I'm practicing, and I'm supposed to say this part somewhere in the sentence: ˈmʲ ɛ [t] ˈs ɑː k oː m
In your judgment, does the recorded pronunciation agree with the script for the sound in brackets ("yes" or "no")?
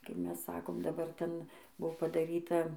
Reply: no